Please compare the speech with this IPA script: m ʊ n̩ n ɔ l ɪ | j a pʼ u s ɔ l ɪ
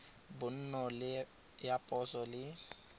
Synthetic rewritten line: b ʊ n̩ n ɔ l ɪ | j a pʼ ɔ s ɔ l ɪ